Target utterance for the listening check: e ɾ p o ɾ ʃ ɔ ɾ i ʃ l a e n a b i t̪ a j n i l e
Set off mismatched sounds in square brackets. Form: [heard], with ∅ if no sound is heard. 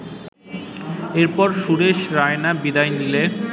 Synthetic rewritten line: e ɾ p [ɔ] ɾ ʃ [u] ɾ [e] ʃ [ɾ] a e n a b i [d̪] a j n i l e